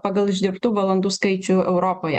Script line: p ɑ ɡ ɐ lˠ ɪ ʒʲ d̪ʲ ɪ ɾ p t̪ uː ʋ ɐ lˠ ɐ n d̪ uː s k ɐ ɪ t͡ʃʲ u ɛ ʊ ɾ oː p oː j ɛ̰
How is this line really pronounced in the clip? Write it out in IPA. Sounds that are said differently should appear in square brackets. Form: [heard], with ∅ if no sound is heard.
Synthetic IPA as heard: p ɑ ɡ ɐ lˠ ɪ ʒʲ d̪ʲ ɪ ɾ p t̪ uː ʋ ɐ lˠ ɐ n d̪ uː s k ɐ ɪ t͡ʃʲ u ɛ ʊ ɾ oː p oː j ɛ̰